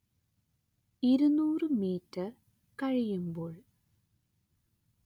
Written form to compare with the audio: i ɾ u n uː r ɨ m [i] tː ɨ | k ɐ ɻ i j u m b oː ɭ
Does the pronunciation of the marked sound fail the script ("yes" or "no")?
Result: yes